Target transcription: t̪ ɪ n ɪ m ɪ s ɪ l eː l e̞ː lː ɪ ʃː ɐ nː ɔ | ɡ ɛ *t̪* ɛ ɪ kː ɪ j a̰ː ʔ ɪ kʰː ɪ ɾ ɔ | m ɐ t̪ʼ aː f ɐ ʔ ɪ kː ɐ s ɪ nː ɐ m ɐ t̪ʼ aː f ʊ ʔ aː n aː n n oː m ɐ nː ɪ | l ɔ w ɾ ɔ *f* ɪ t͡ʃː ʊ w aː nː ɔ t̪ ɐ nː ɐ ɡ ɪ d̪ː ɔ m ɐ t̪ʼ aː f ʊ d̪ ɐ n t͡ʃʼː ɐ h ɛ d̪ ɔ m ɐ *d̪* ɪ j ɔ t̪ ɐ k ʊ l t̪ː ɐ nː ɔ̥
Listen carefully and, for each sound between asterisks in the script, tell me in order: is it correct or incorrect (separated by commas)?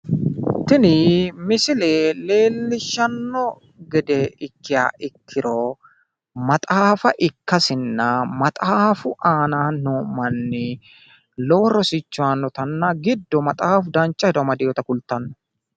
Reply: incorrect, incorrect, correct